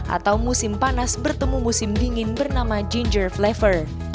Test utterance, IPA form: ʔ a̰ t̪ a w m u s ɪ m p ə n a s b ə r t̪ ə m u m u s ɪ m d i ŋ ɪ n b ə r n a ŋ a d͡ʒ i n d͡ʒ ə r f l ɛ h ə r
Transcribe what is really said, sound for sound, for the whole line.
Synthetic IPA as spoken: ʔ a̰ t̪ a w m u s ɪ m p a n a s b ə r t̪ ə m u m u s ɪ m d i ŋ ɪ n b ə r n a m a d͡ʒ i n d͡ʒ ə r f l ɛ f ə r